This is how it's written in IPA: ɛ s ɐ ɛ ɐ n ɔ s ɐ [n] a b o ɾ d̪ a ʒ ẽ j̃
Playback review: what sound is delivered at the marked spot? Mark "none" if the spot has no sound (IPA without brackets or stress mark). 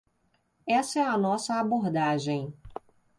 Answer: none